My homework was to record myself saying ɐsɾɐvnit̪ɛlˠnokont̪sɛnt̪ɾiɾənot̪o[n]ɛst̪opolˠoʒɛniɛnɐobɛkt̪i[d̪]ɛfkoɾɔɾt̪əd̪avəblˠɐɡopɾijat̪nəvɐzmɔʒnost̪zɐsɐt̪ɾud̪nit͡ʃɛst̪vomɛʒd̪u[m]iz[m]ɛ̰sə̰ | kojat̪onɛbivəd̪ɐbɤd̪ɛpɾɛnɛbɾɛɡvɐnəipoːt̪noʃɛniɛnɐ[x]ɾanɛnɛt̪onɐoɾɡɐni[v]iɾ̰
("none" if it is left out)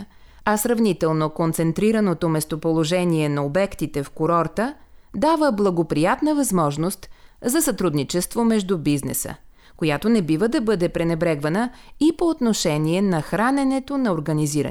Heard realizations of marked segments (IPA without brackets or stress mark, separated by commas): m, t̪, b, n, x, z